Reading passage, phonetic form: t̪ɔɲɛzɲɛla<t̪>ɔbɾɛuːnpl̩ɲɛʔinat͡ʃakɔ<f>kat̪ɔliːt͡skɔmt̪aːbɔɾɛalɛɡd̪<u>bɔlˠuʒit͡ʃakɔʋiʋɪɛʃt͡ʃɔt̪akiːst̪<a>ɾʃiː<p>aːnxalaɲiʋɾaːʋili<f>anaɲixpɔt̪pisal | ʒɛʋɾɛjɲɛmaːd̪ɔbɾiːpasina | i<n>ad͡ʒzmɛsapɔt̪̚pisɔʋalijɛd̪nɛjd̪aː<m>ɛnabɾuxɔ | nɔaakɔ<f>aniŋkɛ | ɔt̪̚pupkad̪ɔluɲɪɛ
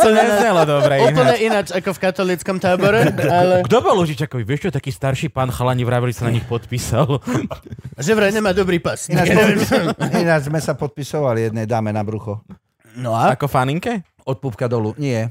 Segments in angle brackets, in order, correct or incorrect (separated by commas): incorrect, correct, incorrect, correct, correct, incorrect, correct, correct, correct